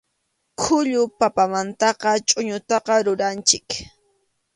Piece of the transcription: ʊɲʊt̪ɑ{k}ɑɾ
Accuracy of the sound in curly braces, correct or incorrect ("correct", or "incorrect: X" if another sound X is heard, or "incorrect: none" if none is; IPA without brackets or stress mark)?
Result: incorrect: q